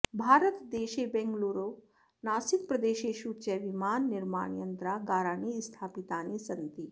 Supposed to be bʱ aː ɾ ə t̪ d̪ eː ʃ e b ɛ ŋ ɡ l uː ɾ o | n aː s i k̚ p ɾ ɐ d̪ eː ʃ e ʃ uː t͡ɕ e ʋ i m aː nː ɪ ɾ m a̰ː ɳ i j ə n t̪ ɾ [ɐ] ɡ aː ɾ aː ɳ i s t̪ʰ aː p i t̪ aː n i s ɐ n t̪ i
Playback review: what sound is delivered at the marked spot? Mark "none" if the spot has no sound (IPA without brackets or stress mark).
a